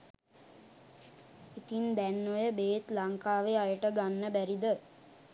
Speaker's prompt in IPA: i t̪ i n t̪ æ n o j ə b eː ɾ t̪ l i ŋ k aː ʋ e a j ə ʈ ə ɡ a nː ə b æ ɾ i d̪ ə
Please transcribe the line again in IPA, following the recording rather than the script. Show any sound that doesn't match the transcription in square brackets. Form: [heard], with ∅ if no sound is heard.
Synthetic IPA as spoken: i t̪ i n [d̪] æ [nː] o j ə b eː [∅] t̪ l [a] ŋ k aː ʋ e a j ə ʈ ə ɡ a nː ə b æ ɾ i d̪ ə